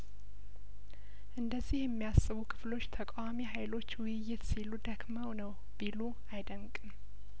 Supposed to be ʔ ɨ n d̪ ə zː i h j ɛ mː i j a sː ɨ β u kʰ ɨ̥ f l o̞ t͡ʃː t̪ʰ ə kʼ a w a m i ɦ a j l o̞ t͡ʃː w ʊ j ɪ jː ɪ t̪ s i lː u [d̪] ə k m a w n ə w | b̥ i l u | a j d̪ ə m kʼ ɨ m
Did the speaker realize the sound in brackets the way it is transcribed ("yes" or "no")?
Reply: yes